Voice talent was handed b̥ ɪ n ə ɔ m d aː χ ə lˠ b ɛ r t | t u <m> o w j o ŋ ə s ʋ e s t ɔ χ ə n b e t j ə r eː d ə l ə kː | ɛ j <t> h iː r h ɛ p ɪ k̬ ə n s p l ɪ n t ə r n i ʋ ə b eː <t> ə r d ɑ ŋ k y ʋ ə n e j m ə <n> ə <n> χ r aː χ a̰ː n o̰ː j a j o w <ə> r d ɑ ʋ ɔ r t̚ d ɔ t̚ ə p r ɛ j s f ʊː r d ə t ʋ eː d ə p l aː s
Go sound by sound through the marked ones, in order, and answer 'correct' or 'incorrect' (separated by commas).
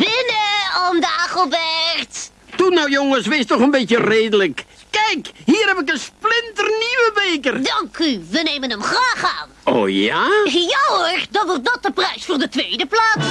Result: incorrect, incorrect, incorrect, correct, incorrect, correct